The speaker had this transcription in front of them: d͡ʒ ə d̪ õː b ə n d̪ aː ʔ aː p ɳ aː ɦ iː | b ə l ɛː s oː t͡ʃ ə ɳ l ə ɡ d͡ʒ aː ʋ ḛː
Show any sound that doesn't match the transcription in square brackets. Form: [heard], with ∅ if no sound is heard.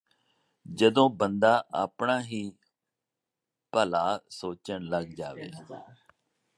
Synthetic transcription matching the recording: d͡ʒ ə d̪ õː b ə n d̪ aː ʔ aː p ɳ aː ɦ iː | [p] ə l [aː] s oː t͡ʃ ə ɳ l ə ɡ d͡ʒ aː ʋ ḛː